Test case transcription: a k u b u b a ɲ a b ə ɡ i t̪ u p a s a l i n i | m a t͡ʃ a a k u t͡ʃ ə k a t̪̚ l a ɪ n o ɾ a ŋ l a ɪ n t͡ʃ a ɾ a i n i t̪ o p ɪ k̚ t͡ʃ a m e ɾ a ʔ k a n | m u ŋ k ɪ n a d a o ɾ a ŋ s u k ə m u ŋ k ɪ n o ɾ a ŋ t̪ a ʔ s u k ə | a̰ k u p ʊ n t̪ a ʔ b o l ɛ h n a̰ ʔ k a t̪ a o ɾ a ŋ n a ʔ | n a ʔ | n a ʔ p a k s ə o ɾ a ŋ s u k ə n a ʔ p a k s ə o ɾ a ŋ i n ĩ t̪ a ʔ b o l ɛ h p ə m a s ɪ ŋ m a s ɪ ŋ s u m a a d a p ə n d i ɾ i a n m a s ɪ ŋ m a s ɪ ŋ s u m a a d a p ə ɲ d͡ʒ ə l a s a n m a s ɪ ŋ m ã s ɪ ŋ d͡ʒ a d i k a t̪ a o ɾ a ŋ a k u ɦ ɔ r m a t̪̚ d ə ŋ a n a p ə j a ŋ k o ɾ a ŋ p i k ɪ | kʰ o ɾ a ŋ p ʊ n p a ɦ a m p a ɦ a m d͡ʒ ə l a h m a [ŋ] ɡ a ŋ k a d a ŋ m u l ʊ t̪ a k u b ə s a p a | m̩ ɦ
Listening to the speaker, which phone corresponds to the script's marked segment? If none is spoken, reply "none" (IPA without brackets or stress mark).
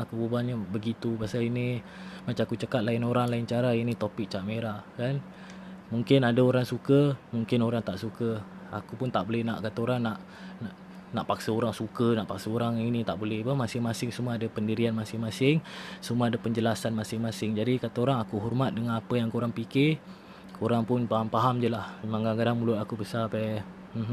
ŋ